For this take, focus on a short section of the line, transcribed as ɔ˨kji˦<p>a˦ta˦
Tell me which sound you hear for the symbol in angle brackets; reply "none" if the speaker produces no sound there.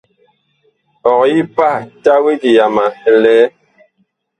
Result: p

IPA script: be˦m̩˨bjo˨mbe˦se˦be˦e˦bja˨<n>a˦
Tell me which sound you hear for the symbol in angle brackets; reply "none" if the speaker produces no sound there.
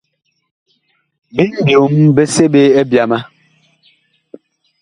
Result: m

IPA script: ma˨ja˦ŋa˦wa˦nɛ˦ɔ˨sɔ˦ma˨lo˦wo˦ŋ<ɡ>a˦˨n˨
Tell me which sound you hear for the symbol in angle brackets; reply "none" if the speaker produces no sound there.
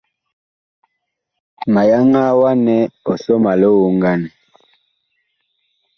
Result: ɡ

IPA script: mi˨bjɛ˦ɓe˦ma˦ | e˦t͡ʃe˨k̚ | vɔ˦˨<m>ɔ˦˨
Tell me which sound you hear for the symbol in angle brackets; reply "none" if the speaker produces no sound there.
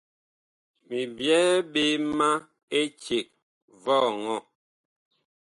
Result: ŋ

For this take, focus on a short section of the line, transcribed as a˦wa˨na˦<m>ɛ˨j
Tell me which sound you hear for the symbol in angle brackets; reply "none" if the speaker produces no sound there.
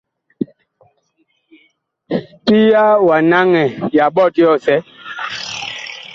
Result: ŋ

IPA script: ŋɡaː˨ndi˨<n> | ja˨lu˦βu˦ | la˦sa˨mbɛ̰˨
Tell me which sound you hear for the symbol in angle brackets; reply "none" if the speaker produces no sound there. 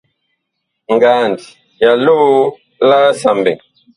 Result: none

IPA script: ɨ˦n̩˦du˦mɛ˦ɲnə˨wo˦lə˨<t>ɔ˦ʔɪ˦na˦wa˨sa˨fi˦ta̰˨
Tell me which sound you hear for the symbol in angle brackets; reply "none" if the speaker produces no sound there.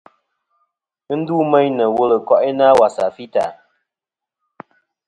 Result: k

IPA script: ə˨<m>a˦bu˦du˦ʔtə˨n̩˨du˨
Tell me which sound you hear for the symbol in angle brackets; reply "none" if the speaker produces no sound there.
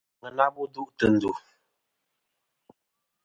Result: n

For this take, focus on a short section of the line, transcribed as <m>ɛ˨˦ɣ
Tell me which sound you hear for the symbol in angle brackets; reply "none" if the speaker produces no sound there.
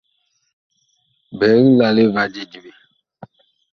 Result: b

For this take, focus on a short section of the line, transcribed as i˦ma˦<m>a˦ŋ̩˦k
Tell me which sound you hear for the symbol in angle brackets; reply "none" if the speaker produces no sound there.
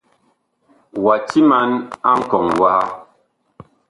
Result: n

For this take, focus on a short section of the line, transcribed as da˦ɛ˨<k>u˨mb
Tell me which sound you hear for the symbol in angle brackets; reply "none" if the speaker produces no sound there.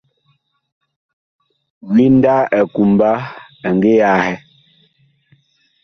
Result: k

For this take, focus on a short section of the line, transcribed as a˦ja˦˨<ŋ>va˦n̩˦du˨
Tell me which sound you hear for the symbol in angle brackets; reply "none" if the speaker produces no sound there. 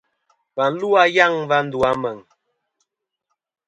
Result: ŋ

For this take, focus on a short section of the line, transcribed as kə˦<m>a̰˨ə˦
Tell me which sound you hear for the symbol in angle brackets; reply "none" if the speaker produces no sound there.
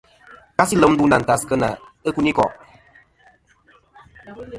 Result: n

